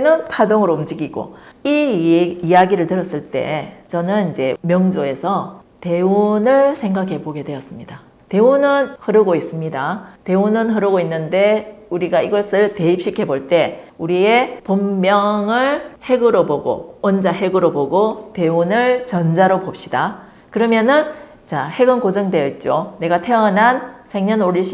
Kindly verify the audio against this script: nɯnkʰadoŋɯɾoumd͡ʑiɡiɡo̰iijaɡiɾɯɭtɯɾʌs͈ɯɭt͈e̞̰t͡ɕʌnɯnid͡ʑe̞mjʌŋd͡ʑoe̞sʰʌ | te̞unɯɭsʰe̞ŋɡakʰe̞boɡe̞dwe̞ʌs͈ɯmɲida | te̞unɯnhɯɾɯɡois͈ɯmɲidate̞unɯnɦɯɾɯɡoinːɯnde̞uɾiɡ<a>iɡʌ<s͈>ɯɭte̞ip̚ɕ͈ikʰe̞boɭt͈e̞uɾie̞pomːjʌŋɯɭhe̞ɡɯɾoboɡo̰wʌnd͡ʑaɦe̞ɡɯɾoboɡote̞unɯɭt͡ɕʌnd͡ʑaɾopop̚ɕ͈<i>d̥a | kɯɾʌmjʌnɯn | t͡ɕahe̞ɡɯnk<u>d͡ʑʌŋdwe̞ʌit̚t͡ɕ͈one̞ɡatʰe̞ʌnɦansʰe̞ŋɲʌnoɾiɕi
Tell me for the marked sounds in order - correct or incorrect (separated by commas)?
correct, correct, correct, incorrect